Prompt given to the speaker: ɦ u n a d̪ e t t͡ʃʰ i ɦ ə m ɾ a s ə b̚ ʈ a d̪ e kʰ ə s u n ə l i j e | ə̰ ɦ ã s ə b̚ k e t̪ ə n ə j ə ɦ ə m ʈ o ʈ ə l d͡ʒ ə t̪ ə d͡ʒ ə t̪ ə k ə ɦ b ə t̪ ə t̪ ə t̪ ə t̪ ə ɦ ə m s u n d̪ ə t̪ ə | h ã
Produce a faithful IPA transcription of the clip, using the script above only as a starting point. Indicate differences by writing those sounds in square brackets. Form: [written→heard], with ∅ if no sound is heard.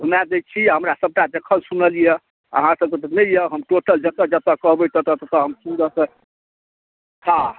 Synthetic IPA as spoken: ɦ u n a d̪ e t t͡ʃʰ i ɦ ə m ɾ a s ə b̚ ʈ a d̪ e kʰ ə s u n ə l i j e | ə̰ ɦ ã s ə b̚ k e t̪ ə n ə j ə ɦ ə m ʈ o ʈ ə l d͡ʒ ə t̪ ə d͡ʒ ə t̪ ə k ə ɦ b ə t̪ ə t̪ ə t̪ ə t̪ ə ɦ ə m s u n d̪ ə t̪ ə | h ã